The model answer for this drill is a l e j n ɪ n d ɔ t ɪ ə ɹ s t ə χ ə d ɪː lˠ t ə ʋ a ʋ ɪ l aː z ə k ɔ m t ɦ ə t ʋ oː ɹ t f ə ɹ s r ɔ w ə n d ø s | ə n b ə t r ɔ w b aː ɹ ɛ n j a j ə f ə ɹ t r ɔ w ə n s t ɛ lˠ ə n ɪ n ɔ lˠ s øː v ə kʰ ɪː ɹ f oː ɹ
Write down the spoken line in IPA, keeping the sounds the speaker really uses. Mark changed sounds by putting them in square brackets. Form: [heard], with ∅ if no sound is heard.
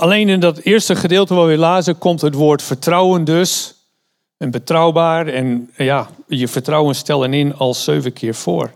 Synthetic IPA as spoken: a l e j n ɪ n d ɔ t ɪ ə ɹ s t ə χ ə d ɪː lˠ t ə ʋ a ʋ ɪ l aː z ə k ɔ m t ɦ ə t ʋ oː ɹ t f ə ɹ [t] r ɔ w ə n d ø s | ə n b ə t r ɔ w b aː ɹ ɛ n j a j ə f ə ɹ t r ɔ w ə n s t ɛ lˠ ə n ɪ n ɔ lˠ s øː v ə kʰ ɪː ɹ f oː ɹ